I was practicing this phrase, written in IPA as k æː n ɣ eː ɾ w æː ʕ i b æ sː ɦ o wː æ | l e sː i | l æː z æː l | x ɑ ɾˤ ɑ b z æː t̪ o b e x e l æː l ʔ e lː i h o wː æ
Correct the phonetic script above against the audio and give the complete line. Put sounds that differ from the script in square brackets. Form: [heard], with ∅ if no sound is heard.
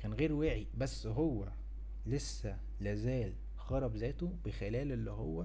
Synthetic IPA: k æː n ɣ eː ɾ w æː ʕ i b æ sː ɦ o wː æ | l e sː [æ] | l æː z æː l | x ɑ ɾˤ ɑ b z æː t̪ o b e x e l æː l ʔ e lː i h o wː æ